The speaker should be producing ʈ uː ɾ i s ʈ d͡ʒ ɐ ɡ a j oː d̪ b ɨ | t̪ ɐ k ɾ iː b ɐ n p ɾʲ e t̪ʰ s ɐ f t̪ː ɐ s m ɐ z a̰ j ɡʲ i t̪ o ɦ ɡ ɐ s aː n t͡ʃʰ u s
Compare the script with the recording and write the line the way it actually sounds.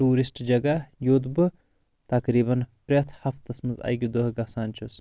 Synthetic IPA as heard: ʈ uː ɾ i s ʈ d͡ʒ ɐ ɡ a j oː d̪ b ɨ | t̪ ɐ k ɾ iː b ɐ n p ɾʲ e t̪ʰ h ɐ f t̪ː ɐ s m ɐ z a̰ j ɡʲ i d̪ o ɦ ɡ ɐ s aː n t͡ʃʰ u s